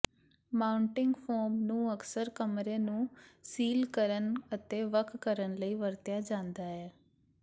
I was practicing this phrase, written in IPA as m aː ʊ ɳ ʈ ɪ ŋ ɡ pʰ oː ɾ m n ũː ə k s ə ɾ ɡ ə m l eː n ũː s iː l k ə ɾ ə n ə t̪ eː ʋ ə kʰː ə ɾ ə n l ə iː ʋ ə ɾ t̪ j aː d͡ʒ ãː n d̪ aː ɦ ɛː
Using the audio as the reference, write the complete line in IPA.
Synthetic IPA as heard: m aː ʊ ɳ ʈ ɪ ŋ ɡ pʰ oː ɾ m n ũː ə k s ə ɾ k ə m ɾ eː n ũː s iː l k ə ɾ ə n ə t̪ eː ʋ ə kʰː ə ɾ ə n l ə iː ʋ ə ɾ t̪ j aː d͡ʒ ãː n d̪ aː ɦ ɛː